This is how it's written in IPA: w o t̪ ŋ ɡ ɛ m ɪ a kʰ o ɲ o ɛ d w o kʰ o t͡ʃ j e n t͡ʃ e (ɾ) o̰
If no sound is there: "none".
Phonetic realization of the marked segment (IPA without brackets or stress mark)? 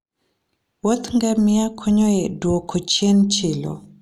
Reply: l